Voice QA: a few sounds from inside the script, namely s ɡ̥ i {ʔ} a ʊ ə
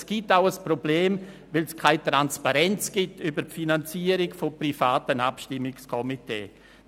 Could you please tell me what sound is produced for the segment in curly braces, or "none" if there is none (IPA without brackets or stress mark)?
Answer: t